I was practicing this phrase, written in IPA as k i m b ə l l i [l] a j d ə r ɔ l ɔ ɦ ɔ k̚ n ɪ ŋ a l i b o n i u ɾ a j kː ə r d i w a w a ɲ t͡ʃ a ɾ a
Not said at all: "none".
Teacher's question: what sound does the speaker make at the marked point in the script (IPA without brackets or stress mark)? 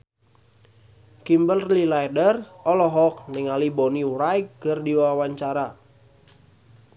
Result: l